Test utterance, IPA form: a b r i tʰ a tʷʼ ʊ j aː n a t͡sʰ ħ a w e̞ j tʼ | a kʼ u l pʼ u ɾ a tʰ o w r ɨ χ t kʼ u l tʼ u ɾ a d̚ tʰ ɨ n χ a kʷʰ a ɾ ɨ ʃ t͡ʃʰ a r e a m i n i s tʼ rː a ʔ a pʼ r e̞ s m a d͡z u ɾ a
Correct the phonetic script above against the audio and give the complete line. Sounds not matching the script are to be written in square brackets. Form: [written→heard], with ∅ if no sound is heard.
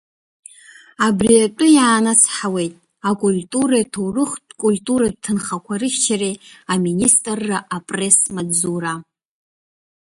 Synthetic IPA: a b r i [tʰ→∅] a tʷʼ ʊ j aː n a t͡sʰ ħ a w e̞ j tʼ | a kʼ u l [pʼ→tʼ] u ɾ a tʰ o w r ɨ χ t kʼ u l tʼ u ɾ a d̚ tʰ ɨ n χ a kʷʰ a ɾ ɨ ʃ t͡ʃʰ a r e a m i n i s tʼ rː a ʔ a pʼ r e̞ s m a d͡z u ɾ a